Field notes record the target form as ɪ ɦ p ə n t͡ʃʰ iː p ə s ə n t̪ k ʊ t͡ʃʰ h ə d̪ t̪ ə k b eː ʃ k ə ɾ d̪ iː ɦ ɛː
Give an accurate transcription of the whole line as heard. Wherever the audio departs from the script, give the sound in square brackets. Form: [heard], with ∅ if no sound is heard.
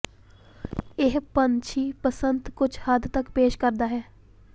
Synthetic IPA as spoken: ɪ ɦ p ə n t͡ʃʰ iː p ə s ə n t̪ k ʊ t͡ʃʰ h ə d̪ t̪ ə k [p] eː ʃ k ə ɾ d̪ [aː] ɦ ɛː